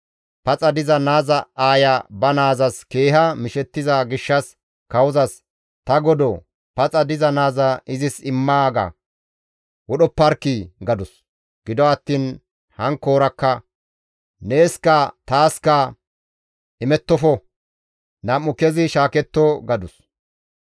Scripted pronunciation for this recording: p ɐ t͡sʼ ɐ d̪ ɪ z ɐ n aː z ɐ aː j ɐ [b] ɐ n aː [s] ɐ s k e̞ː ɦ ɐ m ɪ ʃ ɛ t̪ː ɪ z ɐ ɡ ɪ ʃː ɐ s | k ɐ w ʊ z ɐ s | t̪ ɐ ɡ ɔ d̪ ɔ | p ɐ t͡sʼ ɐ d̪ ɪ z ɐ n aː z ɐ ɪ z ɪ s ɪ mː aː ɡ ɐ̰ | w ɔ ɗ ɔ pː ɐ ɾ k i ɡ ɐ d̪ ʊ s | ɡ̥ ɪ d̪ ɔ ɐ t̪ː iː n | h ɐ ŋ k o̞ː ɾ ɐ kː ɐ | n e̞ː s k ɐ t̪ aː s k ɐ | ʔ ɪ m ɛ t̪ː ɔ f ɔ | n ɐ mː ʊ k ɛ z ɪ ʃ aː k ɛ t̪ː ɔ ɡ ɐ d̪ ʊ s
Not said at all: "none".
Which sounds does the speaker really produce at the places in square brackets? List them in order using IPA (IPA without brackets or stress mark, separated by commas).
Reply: b, z